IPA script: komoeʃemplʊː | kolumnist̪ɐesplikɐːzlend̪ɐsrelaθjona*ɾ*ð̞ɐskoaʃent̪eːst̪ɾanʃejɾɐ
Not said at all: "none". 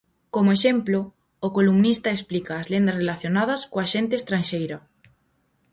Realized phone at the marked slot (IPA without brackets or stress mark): none